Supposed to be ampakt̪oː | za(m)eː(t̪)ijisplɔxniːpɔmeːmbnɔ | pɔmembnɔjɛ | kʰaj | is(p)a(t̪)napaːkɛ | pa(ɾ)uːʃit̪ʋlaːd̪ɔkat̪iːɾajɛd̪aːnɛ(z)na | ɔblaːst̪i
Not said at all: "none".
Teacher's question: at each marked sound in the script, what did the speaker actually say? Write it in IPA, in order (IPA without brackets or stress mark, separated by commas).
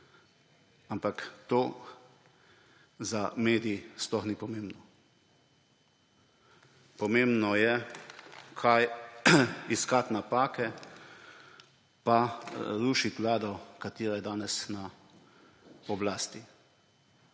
m, d̪, k, t̪, ɾ, s